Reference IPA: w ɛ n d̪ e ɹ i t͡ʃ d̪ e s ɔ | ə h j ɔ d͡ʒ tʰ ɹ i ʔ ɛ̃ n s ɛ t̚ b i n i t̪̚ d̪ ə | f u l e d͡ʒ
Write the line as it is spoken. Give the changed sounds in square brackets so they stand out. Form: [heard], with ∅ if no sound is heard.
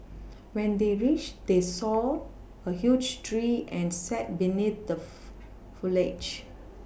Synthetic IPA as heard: w [ɛ̃] n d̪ e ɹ i t͡ʃ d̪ e s ɔ | ə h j [u] d͡ʒ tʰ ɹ i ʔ ɛ̃ n s ɛ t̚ b i n i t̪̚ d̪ ə | f u l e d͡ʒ